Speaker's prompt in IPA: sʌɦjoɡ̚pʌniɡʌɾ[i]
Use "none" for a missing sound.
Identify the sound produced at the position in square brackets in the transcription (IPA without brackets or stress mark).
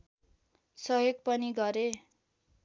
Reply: e